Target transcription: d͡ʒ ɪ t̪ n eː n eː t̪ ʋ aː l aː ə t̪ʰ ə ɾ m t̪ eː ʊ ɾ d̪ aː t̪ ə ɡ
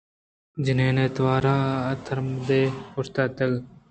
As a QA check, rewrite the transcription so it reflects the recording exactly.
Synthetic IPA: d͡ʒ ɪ n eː n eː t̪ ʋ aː ɾ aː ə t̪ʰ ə ɾ m d̪ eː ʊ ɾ t̪ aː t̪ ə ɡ